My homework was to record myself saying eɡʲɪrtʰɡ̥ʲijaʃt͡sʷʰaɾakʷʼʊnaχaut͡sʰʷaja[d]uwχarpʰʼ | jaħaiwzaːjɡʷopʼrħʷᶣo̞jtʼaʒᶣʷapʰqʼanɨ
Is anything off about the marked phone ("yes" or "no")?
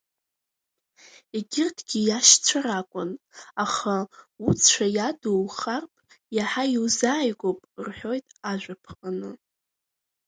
no